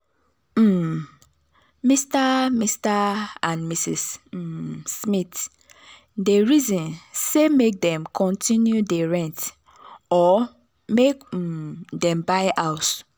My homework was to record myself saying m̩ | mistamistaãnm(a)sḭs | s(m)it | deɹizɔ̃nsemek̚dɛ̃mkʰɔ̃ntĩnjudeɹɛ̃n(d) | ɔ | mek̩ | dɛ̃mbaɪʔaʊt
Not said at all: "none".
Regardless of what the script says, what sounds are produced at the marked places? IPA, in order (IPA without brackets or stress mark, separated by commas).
i, m, t